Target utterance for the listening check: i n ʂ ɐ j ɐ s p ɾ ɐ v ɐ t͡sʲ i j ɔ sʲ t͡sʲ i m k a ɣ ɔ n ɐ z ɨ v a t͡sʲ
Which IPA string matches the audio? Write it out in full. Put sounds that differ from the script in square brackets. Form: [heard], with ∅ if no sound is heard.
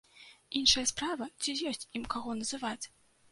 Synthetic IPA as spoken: i n ʂ ɐ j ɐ s p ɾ [a] v ɐ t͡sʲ i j ɔ sʲ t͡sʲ i m k a ɣ ɔ n ɐ z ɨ v a t͡sʲ